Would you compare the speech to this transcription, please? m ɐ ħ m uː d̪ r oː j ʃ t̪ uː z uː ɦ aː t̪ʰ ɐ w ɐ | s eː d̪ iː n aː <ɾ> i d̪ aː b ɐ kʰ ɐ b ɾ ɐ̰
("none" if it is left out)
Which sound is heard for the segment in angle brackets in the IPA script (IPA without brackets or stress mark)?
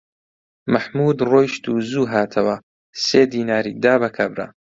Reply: ɾ